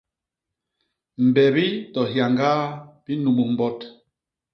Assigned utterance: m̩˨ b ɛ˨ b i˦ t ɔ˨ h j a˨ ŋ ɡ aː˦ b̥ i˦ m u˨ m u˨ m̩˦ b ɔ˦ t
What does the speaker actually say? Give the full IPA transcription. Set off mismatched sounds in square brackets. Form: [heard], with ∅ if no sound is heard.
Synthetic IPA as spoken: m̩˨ b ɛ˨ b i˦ t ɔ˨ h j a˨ ŋ ɡ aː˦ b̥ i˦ [n] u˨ m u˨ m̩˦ b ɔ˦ t